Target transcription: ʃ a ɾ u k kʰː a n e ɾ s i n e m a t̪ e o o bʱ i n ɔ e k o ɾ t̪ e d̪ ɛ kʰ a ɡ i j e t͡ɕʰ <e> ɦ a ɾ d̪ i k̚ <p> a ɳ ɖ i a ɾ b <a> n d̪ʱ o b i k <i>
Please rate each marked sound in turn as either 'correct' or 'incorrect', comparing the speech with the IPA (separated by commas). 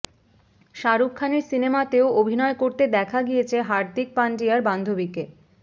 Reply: correct, correct, correct, incorrect